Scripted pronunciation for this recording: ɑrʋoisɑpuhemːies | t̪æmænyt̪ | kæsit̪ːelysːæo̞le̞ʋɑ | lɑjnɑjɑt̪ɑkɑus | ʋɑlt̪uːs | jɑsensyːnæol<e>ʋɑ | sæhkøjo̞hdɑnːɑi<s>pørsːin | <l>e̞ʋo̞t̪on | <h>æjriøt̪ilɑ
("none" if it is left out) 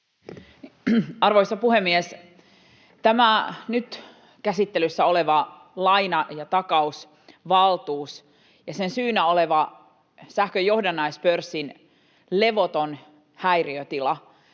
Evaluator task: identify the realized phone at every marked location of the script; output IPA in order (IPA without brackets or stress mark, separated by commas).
e, s, l, h